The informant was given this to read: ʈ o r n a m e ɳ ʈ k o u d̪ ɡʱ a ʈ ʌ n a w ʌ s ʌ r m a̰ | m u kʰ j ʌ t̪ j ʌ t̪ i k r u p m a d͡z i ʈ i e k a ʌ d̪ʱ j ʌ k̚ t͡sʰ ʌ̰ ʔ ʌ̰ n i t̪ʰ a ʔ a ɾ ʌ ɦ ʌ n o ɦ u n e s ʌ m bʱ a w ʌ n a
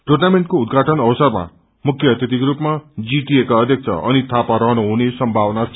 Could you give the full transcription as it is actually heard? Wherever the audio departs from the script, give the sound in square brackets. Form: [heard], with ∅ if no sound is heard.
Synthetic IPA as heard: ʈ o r n a m e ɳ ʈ k o u d̪ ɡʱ a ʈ ʌ n [ʌ] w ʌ s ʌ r m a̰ | m u kʰ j ʌ t̪ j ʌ t̪ i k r u p m a d͡z i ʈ i e k a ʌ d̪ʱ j ʌ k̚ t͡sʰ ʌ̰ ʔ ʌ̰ n i t̪ʰ a [p] a ɾ ʌ ɦ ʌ n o ɦ u n e s ʌ m bʱ a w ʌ n a